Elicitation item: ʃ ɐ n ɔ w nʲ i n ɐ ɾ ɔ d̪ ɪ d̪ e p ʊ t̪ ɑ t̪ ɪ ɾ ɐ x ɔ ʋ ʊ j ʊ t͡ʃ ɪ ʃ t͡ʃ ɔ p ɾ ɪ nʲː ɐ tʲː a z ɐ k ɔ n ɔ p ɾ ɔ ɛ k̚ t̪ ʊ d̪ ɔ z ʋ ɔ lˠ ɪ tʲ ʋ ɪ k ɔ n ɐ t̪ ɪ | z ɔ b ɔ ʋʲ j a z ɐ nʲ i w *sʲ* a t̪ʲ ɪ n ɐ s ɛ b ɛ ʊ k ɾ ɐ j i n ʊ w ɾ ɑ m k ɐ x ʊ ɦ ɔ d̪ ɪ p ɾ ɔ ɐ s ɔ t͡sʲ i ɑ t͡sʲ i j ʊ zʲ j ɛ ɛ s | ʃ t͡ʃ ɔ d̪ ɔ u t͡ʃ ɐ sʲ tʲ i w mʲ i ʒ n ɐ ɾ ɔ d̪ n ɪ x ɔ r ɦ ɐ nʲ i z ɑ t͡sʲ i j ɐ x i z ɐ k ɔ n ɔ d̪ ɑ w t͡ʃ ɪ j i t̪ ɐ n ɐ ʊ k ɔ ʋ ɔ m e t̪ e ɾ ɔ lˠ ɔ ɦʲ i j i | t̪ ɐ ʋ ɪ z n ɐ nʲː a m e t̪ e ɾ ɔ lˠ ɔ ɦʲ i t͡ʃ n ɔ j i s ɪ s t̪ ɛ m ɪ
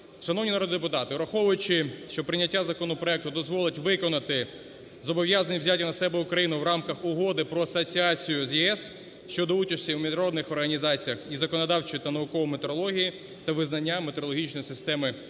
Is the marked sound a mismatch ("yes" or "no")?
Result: yes